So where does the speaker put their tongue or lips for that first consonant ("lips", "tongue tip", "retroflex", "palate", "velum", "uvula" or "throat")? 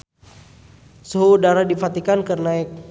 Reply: tongue tip